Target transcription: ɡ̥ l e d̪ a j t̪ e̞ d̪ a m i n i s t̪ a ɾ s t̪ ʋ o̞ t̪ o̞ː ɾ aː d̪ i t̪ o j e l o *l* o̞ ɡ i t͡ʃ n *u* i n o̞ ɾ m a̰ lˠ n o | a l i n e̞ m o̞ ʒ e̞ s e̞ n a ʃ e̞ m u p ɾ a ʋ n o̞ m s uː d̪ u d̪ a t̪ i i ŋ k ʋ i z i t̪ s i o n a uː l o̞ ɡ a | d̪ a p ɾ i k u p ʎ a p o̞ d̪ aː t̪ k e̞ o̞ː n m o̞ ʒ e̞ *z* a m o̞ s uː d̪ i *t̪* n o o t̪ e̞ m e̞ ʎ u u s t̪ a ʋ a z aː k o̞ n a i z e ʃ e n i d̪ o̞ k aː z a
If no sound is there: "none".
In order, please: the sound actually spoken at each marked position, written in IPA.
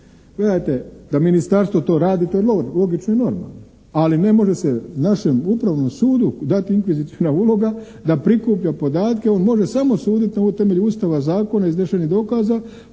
l, o, s, t̪

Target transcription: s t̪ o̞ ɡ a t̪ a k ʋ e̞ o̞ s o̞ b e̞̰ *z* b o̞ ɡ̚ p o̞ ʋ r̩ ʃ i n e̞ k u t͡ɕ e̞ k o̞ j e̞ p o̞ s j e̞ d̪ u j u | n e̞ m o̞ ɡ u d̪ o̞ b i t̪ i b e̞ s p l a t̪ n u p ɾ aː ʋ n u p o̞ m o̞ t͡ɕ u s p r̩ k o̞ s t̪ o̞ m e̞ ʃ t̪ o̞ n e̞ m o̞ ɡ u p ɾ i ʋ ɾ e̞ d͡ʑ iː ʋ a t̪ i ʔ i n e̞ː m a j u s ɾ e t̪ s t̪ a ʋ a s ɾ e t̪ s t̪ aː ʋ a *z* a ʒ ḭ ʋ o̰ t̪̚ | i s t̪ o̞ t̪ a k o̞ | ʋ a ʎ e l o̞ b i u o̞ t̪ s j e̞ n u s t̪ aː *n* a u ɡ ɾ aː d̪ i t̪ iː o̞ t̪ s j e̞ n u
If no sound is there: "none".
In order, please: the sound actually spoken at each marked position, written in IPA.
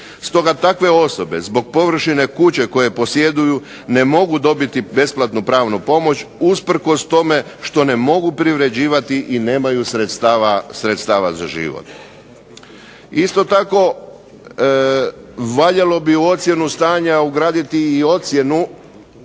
z, z, ɲ

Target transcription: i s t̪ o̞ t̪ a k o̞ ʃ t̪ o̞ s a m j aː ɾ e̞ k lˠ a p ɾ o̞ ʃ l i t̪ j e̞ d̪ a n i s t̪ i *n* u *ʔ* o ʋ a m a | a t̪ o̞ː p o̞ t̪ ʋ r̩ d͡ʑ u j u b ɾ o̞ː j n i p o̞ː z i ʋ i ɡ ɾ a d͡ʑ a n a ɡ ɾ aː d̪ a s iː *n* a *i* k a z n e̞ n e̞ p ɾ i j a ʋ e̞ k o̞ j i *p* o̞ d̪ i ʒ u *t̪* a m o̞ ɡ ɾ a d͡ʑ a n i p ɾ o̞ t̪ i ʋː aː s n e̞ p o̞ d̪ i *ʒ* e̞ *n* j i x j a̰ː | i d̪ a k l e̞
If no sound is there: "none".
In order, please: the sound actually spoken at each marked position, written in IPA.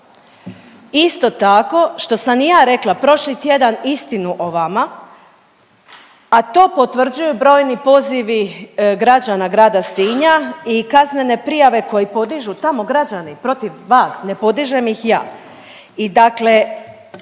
n, ʔ, ɲ, i, p, t̪, ʒ, m

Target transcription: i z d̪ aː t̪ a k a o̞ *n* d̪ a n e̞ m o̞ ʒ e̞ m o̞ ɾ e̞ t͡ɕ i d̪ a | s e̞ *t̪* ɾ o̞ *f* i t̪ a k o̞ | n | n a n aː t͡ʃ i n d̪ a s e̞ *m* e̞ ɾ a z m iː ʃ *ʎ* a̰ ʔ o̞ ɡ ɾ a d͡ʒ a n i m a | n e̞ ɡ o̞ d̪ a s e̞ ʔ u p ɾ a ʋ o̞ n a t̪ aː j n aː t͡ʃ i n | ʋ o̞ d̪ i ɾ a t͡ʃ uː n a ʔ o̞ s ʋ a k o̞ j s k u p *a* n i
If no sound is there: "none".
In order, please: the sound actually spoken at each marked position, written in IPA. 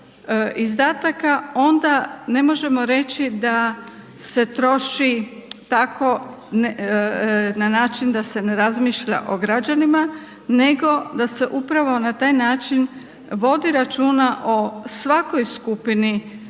n, t̪, ʃ, n, ʎ, i

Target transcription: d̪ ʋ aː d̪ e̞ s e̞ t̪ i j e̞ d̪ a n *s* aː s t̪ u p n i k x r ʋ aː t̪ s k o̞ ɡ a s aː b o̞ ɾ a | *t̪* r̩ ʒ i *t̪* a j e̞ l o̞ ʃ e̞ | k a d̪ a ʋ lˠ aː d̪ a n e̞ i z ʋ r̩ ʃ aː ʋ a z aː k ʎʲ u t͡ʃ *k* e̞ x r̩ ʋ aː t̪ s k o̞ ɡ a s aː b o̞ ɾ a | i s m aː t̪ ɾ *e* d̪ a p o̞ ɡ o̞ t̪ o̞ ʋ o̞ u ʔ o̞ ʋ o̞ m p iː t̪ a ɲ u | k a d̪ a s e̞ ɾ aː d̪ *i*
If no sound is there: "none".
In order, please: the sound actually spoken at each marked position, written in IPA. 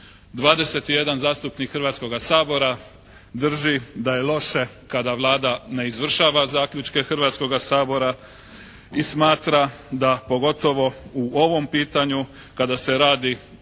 z, d̪, d̪, k, a, i

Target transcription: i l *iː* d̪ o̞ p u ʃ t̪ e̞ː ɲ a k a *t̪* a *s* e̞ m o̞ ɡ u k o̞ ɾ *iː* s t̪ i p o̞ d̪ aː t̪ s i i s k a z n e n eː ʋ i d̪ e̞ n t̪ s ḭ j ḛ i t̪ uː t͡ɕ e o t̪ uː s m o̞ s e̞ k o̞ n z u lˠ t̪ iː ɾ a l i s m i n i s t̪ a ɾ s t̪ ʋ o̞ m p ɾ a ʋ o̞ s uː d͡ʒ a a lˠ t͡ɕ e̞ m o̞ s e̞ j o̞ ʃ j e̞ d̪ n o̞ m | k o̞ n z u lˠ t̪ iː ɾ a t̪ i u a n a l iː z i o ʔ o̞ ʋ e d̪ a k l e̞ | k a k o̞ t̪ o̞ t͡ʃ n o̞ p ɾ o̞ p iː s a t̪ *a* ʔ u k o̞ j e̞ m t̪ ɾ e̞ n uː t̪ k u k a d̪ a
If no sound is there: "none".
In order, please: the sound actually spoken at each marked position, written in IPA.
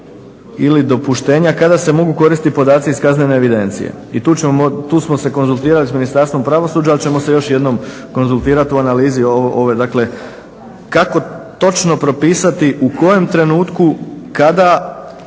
i, d̪, s, i, i

